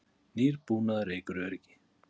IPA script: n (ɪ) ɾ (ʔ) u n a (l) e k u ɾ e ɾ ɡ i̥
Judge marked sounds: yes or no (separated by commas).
no, no, no